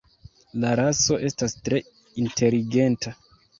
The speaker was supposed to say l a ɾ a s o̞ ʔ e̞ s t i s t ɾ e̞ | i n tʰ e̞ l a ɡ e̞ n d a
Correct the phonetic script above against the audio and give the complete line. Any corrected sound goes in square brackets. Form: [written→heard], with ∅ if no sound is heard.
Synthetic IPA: l a ɾ a s o̞ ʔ e̞ s t [i→a] s t ɾ e̞ | i n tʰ e̞ l [a→i] ɡ e̞ n [d→t] a